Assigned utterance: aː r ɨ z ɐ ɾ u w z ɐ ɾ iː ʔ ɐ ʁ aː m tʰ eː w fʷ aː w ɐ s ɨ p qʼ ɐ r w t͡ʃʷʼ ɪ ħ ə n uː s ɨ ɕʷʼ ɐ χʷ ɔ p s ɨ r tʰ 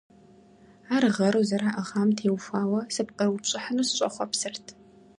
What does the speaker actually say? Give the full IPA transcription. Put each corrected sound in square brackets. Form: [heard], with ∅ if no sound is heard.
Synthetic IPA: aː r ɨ [ʁ] ɐ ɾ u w z ɐ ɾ [aː] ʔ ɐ ʁ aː m tʰ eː w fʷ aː w ɐ s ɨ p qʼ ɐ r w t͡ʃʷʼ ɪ ħ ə n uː s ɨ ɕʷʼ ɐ χʷ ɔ p s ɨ r tʰ